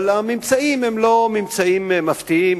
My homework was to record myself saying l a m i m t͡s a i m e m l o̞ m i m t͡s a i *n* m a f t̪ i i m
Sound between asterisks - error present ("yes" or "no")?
yes